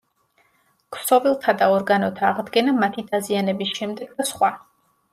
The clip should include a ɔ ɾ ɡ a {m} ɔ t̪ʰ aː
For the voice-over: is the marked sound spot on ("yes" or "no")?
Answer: no